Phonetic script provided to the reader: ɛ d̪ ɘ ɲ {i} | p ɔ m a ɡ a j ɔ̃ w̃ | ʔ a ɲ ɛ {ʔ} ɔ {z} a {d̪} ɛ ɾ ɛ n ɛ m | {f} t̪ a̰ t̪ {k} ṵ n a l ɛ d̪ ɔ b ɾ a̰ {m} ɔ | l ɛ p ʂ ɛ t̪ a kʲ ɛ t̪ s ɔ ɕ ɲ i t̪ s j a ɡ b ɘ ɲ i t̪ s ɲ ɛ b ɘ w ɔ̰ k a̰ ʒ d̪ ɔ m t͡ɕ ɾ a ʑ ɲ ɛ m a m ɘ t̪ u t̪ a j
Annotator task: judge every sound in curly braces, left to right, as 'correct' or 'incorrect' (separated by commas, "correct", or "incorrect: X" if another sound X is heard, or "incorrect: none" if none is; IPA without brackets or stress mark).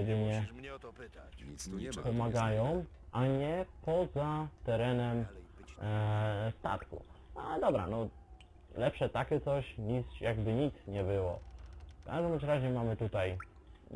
incorrect: ɛ, incorrect: p, correct, incorrect: t̪, incorrect: s, correct, incorrect: n